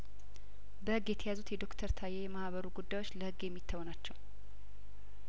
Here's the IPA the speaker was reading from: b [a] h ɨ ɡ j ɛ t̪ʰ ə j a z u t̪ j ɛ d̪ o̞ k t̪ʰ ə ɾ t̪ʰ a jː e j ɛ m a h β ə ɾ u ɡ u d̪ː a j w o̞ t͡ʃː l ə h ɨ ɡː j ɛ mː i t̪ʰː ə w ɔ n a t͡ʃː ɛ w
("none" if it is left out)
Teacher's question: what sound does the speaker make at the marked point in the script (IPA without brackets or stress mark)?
ə